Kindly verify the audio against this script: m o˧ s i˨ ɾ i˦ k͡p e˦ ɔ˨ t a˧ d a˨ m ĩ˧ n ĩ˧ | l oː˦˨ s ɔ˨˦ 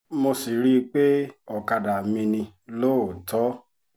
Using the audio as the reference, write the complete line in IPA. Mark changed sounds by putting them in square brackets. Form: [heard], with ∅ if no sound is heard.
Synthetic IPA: m o˧ s i˨ ɾ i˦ k͡p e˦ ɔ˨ [k] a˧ d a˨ m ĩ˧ n ĩ˧ | l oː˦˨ [t] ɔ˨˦